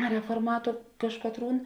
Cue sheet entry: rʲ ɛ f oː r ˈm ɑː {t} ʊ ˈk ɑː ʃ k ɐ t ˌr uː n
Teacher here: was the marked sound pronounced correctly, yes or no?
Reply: yes